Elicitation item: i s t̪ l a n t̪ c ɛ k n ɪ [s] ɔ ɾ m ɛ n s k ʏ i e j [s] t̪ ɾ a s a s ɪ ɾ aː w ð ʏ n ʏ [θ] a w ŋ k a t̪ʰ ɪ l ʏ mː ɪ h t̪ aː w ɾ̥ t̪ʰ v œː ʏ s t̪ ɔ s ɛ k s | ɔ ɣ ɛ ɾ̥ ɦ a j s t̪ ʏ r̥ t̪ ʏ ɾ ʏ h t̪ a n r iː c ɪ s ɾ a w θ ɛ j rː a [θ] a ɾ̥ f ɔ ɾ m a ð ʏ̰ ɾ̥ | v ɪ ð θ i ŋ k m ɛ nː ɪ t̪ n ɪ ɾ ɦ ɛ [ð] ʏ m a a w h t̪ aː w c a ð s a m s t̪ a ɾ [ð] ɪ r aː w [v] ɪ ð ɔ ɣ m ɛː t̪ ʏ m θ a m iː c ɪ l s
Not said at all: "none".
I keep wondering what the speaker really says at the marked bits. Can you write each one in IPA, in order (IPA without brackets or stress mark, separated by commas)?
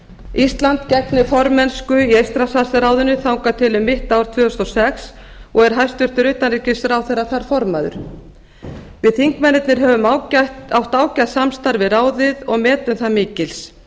f, s, θ, θ, v, v, ð